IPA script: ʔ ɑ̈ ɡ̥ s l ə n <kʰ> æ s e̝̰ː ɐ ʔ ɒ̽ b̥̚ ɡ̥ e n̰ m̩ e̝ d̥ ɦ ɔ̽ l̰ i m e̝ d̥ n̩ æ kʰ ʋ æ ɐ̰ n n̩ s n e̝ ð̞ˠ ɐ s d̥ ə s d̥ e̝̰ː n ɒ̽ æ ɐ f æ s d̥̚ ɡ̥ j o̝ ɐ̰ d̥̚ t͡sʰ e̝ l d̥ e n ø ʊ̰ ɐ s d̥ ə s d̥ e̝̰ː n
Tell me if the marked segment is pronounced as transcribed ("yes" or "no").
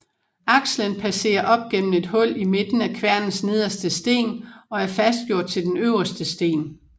no